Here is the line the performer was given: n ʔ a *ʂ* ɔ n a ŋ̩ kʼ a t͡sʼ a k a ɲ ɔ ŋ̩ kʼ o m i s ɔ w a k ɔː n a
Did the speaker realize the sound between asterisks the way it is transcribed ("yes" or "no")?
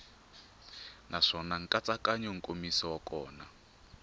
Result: yes